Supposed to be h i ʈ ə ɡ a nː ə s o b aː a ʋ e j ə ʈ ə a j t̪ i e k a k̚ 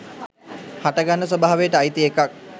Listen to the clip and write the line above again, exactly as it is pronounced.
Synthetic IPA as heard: h a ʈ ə ɡ a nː ə s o b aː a ʋ e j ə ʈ ə a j t̪ i e k a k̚